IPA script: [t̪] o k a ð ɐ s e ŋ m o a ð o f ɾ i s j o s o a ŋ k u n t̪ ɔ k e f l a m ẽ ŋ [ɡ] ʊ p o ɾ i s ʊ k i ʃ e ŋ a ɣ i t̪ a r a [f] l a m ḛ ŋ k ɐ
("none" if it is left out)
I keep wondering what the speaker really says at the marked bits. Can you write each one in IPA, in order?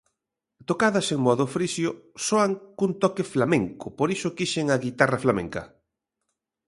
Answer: t̪, k, f

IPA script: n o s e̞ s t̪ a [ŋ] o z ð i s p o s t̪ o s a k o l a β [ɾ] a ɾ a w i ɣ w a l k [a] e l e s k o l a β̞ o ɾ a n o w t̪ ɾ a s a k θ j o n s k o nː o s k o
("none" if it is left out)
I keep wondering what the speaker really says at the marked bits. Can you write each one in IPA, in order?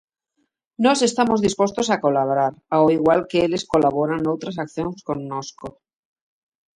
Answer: m, ɾ, e

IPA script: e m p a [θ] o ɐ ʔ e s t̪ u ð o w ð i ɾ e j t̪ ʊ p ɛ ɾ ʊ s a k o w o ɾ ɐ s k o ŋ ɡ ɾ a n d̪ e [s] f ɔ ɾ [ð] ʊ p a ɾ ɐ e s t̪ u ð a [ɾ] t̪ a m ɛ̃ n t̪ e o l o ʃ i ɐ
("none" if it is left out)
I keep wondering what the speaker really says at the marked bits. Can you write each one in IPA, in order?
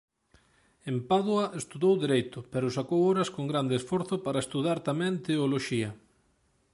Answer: ð, s, θ, ɾ

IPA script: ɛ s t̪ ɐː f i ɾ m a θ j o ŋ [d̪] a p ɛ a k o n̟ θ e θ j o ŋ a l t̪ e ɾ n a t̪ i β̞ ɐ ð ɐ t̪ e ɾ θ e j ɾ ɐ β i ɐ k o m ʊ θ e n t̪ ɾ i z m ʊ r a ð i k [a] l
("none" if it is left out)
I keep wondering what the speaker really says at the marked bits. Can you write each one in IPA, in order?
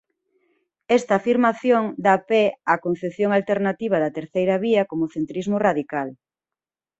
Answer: d̪, a

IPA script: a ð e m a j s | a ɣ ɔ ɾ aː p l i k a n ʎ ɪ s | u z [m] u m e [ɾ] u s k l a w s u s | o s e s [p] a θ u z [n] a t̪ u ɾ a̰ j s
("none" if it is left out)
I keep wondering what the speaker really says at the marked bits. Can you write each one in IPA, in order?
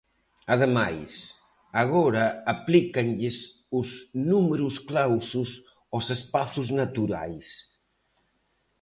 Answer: n, ɾ, p, n

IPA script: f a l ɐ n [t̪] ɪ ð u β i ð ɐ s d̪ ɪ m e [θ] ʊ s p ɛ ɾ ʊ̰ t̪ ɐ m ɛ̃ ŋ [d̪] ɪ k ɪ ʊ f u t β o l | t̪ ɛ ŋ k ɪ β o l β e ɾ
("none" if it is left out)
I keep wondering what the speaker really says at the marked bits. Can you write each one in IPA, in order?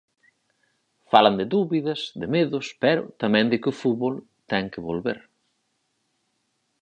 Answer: d̪, ð, d̪

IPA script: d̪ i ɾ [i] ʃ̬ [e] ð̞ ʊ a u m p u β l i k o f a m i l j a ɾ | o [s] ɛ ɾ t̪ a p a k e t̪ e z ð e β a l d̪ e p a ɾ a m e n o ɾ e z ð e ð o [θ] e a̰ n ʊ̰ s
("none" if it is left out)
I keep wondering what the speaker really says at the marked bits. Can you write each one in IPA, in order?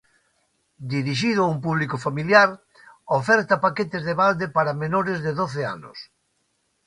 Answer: i, i, f, θ

